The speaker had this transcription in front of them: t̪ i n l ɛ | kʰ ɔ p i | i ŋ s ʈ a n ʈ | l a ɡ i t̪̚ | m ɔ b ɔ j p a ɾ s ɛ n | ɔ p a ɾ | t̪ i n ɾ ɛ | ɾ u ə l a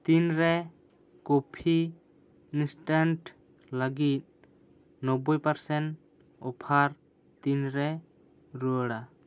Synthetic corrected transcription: t̪ i n ɾ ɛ | k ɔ pʰ i | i n s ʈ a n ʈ | l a ɡ i t̪̚ | n ɔ b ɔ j p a ɾ s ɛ n | ɔ pʰ a ɾ | t̪ i n ɾ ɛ | ɾ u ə ɽ a